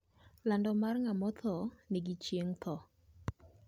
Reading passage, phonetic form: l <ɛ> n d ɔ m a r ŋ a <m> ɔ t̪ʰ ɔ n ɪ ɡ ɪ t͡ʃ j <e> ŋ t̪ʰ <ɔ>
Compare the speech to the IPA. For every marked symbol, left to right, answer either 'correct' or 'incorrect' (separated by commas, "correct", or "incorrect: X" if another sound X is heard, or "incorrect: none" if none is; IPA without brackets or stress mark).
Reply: incorrect: a, correct, correct, correct